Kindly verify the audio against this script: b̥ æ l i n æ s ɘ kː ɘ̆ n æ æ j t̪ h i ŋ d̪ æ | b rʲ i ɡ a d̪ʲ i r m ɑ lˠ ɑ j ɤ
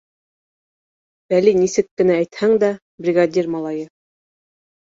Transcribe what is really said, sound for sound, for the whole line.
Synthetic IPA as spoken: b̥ æ l i n i s ɘ kː ɘ̆ n æ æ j t̪ h æ ŋ d̪ æ | b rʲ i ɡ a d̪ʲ i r m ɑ lˠ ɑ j ɤ